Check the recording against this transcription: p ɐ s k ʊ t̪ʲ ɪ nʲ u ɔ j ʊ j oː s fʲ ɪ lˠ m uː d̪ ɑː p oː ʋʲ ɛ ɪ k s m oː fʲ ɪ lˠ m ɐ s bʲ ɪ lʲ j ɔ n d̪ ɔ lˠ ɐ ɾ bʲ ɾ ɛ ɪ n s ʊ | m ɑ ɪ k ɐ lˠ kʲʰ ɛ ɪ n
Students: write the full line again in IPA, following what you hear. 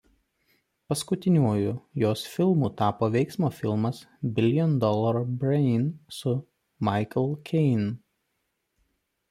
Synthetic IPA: p ɐ s k ʊ t̪ʲ ɪ nʲ u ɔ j ʊ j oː s fʲ ɪ lˠ m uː t̪ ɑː p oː ʋʲ ɛ ɪ k s m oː fʲ ɪ lˠ m ɐ s bʲ ɪ lʲ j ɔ n d̪ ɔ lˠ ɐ ɾ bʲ ɾ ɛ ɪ n s ʊ | m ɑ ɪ k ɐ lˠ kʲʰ ɛ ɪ n

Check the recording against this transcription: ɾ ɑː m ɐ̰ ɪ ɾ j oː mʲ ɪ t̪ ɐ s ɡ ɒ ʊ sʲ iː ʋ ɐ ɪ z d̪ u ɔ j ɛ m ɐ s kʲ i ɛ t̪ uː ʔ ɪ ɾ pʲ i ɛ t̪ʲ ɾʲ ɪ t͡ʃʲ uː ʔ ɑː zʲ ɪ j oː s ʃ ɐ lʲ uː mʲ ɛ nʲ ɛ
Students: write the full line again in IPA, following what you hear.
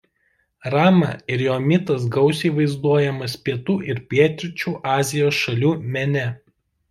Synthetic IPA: ɾ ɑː m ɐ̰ ɪ ɾ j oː mʲ ɪ t̪ ɐ s ɡ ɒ ʊ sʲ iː ʋ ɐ ɪ z d̪ u ɔ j ɛ m ɐ s pʲ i ɛ t̪ uː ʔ ɪ ɾ pʲ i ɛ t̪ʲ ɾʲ ɪ t͡ʃʲ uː ʔ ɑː zʲ ɪ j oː s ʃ ɐ lʲ uː mʲ ɛ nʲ ɛ

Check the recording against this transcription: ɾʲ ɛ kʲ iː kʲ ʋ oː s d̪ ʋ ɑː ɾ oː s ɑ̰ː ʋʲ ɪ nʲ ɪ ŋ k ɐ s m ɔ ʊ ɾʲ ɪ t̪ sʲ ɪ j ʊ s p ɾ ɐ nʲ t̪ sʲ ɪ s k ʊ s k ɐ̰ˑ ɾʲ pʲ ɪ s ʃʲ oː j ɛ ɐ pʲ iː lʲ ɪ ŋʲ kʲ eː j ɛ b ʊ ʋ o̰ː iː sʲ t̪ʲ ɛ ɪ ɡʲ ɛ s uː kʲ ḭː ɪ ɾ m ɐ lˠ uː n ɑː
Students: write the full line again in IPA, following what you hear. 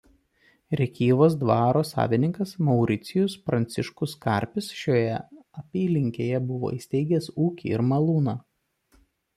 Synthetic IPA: ɾʲ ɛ kʲ iː ʋ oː s d̪ ʋ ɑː ɾ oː s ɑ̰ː ʋʲ ɪ nʲ ɪ ŋ k ɐ s m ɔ ʊ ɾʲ ɪ t̪ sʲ ɪ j ʊ s p ɾ ɐ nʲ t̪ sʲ ɪ ʃ k ʊ s k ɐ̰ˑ ɾʲ pʲ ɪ s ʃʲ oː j ɛ ɐ pʲ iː lʲ ɪ ŋʲ kʲ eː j ɛ b ʊ ʋ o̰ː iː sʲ t̪ʲ ɛ ɪ ɡʲ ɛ s uː kʲ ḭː ɪ ɾ m ɐ lˠ uː n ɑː

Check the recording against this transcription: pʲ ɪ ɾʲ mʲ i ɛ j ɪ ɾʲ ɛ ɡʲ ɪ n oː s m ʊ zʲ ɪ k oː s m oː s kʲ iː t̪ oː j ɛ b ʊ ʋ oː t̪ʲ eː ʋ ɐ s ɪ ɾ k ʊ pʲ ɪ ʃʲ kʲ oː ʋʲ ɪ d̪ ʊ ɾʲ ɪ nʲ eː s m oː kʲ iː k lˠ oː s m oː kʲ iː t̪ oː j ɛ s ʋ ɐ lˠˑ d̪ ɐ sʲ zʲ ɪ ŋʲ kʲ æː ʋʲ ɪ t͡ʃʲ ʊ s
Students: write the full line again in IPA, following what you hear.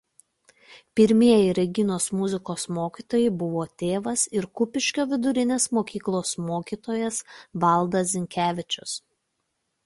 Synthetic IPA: pʲ ɪ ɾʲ mʲ i ɛ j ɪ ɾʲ ɛ ɡʲ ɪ n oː s m ʊ zʲ ɪ k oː s m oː kʲ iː t̪ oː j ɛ b ʊ ʋ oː t̪ʲ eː ʋ ɐ s ɪ ɾ k ʊ pʲ ɪ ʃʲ kʲ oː ʋʲ ɪ d̪ ʊ ɾʲ ɪ nʲ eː s m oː kʲ iː k lˠ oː s m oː kʲ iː t̪ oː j ɛ s ʋ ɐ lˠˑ d̪ ɐ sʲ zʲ ɪ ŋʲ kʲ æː ʋʲ ɪ t͡ʃʲ ʊ s

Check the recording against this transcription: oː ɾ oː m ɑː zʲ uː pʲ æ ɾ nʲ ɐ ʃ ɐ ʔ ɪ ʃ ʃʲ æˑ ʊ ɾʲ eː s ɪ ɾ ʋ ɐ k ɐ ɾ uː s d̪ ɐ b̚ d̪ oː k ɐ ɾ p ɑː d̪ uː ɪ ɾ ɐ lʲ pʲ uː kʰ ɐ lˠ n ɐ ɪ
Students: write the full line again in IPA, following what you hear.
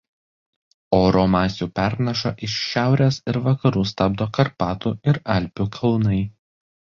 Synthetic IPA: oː ɾ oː m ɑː sʲ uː pʲ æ ɾ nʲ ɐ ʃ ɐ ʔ ɪ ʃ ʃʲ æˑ ʊ ɾʲ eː s ɪ ɾ ʋ ɐ k ɐ ɾ uː s t̪ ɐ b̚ d̪ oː k ɐ ɾ p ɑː t̪ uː ɪ ɾ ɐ lʲ pʲ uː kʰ ɐ lˠ n ɐ ɪ

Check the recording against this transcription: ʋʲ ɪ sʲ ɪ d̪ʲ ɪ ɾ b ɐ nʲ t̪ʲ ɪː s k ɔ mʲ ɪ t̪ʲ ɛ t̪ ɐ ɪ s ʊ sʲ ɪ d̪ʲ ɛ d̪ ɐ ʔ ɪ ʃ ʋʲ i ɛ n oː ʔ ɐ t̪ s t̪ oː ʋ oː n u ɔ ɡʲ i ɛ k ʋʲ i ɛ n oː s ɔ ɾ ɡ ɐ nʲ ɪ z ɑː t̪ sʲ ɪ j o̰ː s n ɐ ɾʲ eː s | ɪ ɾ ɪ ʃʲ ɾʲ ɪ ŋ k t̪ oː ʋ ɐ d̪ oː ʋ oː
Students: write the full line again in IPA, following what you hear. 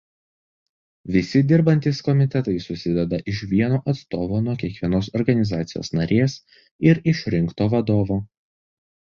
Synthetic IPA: ʋʲ ɪ sʲ ɪ d̪ʲ ɪ ɾ b ɐ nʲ t̪ʲ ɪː s k ɔ mʲ ɪ t̪ʲ ɛ t̪ ɐ ɪ s ʊ sʲ ɪ d̪ʲ ɛ d̪ ɐ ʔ ɪ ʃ ʋʲ i ɛ n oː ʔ ɐ t̪ s t̪ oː ʋ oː n u ɔ kʲ i ɛ k ʋʲ i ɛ n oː s ɔ ɾ ɡ ɐ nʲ ɪ z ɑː t̪ sʲ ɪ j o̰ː s n ɐ ɾʲ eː s | ɪ ɾ ɪ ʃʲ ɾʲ ɪ ŋ k t̪ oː ʋ ɐ d̪ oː ʋ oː

